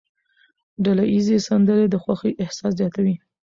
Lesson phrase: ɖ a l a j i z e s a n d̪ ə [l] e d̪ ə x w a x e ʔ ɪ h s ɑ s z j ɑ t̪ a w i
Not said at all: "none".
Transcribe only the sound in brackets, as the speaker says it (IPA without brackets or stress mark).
ɾ